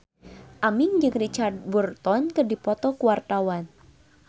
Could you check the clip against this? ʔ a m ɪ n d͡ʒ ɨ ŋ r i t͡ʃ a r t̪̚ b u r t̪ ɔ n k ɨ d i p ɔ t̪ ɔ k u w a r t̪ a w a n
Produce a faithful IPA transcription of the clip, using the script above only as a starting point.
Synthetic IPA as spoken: ʔ a m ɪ ŋ d͡ʒ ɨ ŋ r i t͡ʃ a r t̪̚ b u r t̪ ɔ n k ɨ d i p ɔ t̪ ɔ k u w a r t̪ a w a n